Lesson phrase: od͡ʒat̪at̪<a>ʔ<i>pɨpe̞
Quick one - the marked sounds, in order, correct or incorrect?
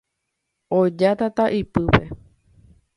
correct, correct

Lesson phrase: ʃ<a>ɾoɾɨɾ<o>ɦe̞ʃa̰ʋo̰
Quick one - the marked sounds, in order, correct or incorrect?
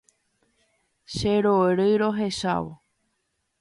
incorrect, correct

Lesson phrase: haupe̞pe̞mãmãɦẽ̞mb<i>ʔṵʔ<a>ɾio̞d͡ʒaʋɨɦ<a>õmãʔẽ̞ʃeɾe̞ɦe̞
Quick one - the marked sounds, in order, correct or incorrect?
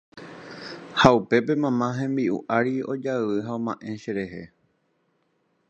correct, correct, correct

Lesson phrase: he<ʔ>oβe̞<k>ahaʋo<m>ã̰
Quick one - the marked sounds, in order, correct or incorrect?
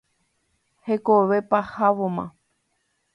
incorrect, incorrect, correct

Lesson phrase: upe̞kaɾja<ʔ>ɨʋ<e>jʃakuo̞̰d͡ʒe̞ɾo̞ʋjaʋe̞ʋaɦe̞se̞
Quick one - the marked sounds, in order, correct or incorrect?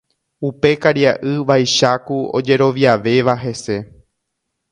correct, incorrect

